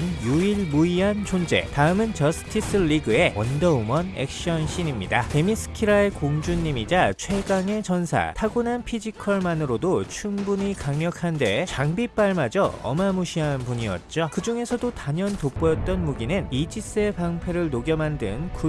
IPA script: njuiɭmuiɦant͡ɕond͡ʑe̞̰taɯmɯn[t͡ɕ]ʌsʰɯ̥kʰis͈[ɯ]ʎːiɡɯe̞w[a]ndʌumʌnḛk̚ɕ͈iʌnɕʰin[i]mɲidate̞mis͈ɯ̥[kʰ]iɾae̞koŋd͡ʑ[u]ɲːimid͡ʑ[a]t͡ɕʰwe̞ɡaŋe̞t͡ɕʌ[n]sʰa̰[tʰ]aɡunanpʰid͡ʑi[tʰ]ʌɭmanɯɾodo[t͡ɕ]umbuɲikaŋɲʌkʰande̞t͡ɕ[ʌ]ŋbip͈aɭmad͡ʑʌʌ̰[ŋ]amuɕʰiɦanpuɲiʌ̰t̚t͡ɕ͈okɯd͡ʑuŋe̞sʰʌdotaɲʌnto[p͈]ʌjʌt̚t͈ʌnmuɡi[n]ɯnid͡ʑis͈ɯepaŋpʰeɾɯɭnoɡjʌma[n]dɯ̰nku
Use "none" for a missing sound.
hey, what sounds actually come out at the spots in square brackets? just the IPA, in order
t͡ɕ, ɯ, ʌ, i, kʰ, u, a, n, tʰ, kʰ, t͡ɕʰ, a, m, p͈, n, n

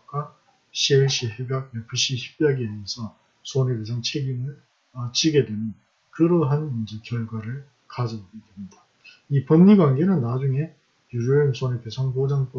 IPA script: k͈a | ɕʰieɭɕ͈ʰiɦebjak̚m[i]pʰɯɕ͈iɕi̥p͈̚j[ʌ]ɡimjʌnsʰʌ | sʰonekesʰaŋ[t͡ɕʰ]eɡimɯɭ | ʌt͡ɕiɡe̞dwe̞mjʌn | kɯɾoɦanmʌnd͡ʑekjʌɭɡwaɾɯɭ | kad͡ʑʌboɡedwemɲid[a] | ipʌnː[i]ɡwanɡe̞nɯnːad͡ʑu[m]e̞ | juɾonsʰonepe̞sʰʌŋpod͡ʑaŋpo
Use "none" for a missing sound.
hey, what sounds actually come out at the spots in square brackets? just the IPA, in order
e, a, t͡ɕʰ, a, i, ŋ

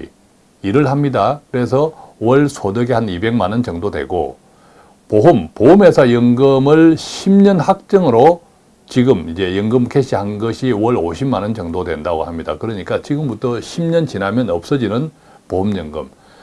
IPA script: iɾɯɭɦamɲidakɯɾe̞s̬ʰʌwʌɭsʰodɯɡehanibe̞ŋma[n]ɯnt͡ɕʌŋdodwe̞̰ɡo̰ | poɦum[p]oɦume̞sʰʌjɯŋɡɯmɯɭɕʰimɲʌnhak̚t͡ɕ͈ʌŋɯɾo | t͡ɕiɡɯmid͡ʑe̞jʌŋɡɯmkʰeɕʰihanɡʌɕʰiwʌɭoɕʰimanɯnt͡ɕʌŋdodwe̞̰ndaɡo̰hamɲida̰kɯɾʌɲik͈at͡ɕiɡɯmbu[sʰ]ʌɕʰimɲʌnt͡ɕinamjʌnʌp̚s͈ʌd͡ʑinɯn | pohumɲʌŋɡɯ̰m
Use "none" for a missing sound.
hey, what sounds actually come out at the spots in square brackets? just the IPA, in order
n, p, tʰ

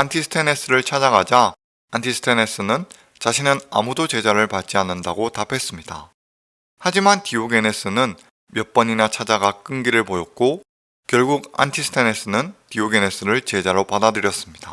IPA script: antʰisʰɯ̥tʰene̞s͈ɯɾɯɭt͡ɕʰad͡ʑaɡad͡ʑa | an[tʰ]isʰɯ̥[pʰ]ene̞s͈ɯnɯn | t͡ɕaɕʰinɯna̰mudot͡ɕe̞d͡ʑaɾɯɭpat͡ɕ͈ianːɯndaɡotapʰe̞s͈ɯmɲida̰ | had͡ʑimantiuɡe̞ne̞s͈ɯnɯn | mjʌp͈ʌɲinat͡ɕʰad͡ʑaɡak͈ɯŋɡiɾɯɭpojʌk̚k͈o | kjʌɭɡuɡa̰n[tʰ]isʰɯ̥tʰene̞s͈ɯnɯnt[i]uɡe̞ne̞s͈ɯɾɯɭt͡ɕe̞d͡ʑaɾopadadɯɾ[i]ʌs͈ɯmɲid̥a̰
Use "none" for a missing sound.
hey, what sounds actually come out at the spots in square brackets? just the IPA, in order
tʰ, tʰ, tʰ, i, j

